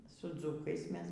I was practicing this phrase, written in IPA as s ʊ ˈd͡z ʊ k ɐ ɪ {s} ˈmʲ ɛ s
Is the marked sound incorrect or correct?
correct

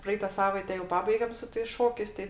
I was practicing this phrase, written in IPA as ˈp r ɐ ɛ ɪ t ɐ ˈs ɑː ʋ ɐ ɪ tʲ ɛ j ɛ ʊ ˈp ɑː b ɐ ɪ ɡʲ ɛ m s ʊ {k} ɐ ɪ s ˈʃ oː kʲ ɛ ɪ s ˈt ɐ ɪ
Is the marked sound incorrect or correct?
incorrect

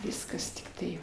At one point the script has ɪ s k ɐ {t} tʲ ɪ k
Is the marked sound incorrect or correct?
incorrect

